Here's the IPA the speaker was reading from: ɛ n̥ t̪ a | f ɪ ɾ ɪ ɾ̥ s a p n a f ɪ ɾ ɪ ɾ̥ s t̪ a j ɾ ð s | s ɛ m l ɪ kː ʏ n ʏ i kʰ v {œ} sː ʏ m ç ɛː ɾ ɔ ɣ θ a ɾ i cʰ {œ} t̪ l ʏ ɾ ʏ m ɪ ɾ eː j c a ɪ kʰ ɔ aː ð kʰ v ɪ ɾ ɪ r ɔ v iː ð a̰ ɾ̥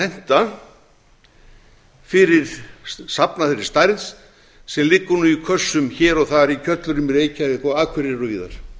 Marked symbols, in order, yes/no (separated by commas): yes, yes